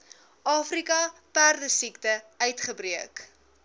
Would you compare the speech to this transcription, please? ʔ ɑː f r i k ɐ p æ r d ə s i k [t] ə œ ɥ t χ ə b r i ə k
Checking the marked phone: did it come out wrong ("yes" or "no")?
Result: no